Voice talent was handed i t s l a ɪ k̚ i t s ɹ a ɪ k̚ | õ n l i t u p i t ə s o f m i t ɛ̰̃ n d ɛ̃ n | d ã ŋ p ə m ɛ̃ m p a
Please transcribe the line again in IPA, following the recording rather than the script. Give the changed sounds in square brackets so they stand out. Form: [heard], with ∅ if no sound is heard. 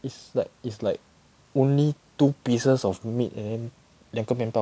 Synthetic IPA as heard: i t s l a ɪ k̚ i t s [l] a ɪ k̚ | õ n l i t u p i [s] ə s [ɔ] f m i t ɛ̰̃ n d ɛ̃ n | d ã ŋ [k] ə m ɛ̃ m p a